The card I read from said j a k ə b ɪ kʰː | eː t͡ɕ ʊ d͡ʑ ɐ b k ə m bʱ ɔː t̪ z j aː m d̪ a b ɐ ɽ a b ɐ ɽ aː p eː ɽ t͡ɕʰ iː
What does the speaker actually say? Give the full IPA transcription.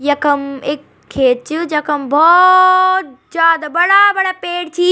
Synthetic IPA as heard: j ɐ k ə m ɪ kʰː | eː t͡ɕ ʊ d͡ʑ ɐ k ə m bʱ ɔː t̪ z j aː d̪ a b ɐ ɽ a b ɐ ɽ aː p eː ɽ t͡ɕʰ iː

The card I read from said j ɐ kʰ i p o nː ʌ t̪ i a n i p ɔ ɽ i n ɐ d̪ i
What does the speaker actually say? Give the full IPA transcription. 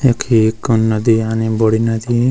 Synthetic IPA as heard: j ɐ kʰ i k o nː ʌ d̪ i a n i b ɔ ɽ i n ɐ d̪ i

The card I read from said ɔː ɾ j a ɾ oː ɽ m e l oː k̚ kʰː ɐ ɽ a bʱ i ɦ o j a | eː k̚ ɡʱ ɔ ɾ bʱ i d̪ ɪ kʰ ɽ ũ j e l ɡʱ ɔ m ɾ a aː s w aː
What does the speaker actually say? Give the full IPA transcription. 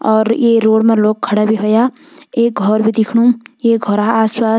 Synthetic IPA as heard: ɔː ɾ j e ɾ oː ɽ m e l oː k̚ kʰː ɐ ɽ a bʱ i ɦ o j a | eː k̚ ɡʱ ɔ ɾ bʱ i d̪ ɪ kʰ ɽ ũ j e ɡʱ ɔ ɾ a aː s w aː

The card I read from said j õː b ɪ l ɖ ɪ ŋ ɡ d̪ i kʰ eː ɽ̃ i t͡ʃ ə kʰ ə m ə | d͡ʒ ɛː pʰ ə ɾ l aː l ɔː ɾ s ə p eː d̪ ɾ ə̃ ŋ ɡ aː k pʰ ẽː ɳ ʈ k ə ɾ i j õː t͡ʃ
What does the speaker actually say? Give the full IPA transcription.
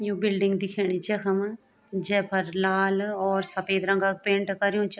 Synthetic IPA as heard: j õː b ɪ l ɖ ɪ ŋ ɡ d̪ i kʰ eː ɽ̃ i t͡ʃ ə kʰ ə m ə | d͡ʒ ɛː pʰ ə ɾ l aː l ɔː ɾ s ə p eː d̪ ɾ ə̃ ŋ ɡ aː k p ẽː ɳ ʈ k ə ɾ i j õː t͡ʃ

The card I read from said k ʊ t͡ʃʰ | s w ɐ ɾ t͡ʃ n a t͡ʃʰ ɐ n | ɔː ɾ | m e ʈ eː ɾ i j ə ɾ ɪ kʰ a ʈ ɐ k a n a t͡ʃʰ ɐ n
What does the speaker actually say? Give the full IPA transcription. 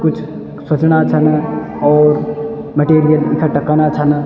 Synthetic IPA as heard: k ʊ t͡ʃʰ | s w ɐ t͡ʃ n a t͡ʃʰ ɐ n | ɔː ɾ | m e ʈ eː ɾ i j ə l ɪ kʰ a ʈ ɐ k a n a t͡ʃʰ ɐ n

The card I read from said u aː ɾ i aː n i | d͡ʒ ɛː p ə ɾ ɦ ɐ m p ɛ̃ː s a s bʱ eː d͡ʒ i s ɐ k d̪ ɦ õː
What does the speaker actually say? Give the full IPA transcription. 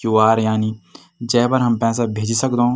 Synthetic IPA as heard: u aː ɾ j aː n i | d͡ʒ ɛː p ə ɾ ɦ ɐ m p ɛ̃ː s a bʱ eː d͡ʒ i s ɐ k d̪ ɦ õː

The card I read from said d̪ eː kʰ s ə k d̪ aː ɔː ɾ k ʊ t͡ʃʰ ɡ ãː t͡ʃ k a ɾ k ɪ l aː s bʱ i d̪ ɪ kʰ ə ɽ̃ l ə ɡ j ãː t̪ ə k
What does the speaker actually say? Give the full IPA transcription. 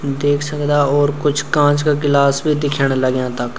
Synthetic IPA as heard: d̪ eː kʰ s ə k d̪ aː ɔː ɾ k ʊ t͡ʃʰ k ãː t͡ʃ k a k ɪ l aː s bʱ i d̪ ɪ kʰ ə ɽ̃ l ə ɡ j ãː t̪ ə k

